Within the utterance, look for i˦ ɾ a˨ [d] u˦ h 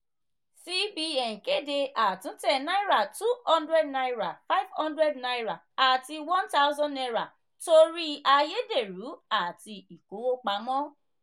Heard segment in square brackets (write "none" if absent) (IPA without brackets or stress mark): t